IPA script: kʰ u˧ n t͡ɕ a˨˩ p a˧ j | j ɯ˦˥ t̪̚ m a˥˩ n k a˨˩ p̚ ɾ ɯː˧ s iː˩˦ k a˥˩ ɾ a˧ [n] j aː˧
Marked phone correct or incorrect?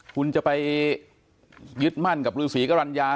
correct